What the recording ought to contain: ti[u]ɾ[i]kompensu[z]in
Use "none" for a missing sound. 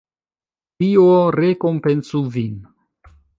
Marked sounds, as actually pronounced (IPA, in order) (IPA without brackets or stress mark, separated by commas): o, e, v